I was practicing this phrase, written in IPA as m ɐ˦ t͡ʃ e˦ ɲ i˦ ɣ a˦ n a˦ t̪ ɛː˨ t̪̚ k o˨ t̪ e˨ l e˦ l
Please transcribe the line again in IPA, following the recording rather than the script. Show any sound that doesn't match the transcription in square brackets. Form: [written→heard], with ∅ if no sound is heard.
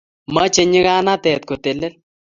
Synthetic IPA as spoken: m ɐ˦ t͡ʃ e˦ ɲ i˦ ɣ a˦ n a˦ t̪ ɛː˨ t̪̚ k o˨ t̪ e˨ l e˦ l